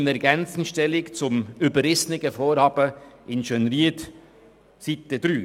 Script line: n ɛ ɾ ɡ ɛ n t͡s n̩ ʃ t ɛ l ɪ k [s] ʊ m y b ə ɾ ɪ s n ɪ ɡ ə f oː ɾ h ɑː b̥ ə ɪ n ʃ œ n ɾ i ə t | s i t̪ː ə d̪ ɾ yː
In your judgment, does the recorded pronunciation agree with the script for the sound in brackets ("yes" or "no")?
no